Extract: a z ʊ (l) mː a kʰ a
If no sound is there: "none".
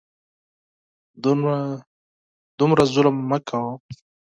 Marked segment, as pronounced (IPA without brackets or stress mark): l